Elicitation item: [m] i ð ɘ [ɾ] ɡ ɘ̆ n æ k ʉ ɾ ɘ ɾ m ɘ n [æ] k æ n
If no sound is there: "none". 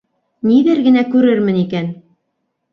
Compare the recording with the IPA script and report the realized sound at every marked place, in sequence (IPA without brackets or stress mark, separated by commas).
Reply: n, ɾ, i